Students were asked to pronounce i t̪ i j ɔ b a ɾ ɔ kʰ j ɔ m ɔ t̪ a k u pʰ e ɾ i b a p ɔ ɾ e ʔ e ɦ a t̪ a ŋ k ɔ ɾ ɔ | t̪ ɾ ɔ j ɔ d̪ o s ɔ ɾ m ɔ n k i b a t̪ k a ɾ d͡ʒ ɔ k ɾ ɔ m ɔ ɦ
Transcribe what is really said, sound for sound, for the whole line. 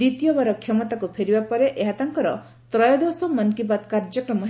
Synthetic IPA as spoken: i t̪ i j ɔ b a ɾ ɔ kʰ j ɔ m ɔ t̪ a k u pʰ e ɾ i b a p ɔ ɾ e ʔ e ɦ a t̪ a ŋ k ɔ ɾ ɔ | t̪ ɾ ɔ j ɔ d̪ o s ɔ m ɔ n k i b a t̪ k a ɾ d͡ʒ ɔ k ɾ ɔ m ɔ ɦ